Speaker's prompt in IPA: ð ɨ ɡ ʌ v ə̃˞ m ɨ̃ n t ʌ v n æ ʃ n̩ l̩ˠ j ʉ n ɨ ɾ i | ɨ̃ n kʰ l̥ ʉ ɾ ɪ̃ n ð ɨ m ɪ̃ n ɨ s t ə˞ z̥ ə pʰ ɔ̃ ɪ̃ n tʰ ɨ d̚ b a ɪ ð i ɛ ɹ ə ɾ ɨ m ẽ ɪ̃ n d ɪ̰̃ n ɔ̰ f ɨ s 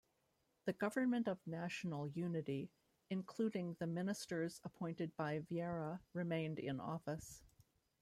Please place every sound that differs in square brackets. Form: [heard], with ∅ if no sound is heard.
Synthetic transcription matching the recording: ð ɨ ɡ ʌ v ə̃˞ m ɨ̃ n t ʌ v n æ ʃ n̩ l̩ˠ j ʉ n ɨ ɾ i | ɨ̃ n kʰ l̥ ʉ ɾ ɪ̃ [ŋ] ð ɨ m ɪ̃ n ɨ s t ə˞ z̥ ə pʰ ɔ̃ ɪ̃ n [t] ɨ d̚ b a ɪ [v] i ɛ ɹ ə [ɹ] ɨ m ẽ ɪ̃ n d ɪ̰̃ n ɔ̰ f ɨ s